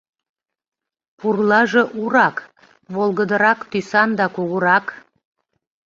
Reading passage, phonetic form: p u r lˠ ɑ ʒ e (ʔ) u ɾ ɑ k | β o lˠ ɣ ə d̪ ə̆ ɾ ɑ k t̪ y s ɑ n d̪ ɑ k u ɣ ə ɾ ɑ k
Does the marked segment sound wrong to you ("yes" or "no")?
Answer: no